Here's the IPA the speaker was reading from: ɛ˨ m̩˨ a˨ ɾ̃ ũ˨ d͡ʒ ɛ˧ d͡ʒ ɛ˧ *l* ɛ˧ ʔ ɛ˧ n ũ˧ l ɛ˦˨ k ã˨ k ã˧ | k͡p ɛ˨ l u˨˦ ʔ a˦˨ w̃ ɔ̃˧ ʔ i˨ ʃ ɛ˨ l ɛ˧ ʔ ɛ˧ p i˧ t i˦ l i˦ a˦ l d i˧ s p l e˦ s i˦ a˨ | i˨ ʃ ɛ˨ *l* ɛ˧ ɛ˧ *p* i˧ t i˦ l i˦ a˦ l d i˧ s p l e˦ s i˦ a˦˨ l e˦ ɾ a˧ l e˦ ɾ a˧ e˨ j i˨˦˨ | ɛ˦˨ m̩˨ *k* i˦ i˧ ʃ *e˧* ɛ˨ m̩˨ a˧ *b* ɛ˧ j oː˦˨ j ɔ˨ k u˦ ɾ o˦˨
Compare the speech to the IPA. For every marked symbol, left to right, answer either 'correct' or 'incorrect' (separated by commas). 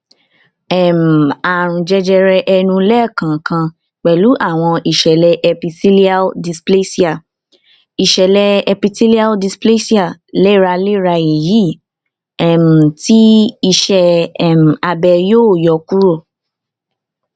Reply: incorrect, correct, correct, incorrect, incorrect, correct